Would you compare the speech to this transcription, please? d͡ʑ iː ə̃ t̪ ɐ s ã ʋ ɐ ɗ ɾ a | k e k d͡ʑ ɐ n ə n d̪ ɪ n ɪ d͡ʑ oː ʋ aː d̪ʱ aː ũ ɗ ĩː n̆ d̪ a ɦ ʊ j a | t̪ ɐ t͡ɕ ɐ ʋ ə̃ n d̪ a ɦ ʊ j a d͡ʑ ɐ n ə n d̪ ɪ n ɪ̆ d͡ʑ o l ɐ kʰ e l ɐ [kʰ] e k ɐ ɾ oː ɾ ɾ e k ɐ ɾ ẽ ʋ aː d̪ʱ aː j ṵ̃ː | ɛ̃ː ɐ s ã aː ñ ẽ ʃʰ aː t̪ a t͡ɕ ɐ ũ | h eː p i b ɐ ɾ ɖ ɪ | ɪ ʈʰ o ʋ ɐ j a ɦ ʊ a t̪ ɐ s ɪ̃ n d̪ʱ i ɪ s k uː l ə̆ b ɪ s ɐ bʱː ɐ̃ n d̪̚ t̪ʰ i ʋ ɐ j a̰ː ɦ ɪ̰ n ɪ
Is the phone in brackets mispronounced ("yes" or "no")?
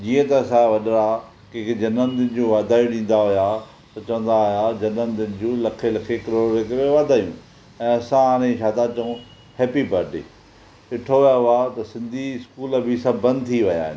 no